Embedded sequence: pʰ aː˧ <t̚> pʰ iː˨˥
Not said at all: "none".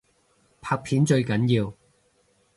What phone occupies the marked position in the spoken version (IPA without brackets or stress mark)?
k̚